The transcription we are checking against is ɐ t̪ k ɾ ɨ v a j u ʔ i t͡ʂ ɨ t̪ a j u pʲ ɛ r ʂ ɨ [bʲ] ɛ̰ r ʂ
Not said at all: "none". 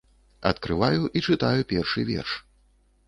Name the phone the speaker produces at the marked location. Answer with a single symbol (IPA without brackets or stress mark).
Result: vʲ